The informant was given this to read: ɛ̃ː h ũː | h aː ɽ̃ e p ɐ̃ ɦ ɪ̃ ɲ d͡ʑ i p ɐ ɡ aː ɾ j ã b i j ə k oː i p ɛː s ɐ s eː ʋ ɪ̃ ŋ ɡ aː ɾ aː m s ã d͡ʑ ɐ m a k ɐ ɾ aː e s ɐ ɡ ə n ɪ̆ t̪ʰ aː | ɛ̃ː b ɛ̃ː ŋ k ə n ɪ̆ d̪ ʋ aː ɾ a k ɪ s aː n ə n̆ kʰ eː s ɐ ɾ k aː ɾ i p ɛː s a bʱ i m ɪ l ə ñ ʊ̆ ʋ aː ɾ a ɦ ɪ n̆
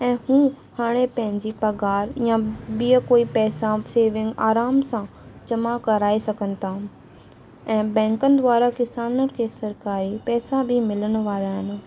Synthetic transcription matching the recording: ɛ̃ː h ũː | h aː ɽ̃ e p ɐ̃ ɦ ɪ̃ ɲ d͡ʑ i p ɐ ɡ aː ɾ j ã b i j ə k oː i p ɛː s a s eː ʋ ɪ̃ ŋ ɡ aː ɾ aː m s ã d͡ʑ ɐ m a k ɐ ɾ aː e s ɐ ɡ ə n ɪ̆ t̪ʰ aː | ɛ̃ː b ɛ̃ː ŋ k ə n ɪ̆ d̪ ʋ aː ɾ a k ɪ s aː n ə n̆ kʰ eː s ɐ ɾ k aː ɾ i p ɛː s a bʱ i m ɪ l ə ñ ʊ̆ ʋ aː ɾ a ɦ ɪ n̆